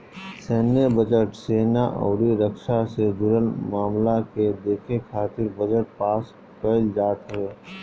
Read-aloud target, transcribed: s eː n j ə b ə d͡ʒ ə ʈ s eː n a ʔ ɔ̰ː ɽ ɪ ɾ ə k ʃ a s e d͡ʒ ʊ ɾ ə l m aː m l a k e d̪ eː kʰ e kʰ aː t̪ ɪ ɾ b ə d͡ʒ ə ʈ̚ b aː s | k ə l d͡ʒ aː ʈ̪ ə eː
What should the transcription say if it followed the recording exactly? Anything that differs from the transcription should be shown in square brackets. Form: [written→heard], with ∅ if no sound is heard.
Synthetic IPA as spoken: s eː n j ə b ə d͡ʒ ə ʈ s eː n a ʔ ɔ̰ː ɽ [ɪ→i] ɾ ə k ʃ a s e d͡ʒ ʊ ɾ ə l m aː m l a k e d̪ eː kʰ e kʰ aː t̪ ɪ ɾ b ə d͡ʒ ə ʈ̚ [b→p] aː s | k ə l d͡ʒ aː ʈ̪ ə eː